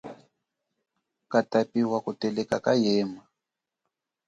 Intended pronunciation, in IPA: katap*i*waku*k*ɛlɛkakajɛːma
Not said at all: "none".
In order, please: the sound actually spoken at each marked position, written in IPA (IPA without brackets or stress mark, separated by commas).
i, t